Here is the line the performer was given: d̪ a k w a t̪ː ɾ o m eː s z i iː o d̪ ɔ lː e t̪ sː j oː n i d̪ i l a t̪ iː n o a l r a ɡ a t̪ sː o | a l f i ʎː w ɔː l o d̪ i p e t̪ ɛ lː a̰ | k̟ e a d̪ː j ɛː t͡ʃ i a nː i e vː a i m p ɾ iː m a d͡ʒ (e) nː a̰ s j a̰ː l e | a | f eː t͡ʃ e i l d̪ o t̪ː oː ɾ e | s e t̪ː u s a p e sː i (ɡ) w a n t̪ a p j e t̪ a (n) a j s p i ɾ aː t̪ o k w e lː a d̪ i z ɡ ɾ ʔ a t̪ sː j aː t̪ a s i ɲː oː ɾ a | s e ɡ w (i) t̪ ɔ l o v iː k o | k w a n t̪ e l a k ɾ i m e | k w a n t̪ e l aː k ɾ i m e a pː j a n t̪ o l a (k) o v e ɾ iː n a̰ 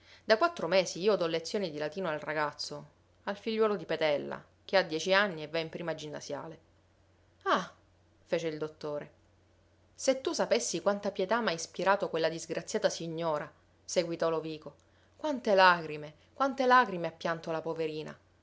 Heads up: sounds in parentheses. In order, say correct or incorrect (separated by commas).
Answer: incorrect, incorrect, incorrect, correct, incorrect